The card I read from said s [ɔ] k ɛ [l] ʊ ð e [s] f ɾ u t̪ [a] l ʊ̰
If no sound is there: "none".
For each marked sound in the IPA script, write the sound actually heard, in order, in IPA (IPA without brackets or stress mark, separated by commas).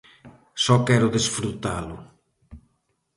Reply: ɔ, ɾ, s, a